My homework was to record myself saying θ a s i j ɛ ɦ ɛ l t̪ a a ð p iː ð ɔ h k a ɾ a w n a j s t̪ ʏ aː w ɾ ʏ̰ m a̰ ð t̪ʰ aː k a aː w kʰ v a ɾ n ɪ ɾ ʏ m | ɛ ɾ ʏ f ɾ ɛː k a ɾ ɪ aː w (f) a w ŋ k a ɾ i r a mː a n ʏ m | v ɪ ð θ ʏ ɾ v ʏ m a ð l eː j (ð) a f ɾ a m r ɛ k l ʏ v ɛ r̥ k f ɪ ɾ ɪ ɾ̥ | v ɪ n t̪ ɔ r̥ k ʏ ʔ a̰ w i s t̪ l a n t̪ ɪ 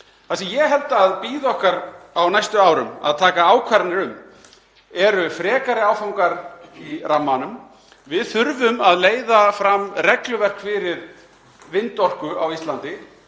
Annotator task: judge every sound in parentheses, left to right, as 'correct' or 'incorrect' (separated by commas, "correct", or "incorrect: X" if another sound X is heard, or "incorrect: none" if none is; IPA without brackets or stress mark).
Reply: correct, correct